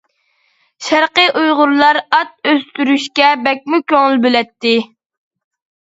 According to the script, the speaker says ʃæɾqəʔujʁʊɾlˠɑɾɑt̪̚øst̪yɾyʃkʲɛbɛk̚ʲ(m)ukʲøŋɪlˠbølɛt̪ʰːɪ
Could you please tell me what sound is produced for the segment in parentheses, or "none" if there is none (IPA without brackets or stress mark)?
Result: m